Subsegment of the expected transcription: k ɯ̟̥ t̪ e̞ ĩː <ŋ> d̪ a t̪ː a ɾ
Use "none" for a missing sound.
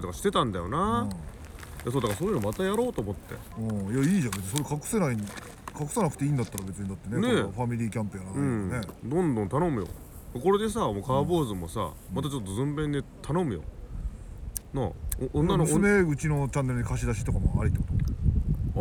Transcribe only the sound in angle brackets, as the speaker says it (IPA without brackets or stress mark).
n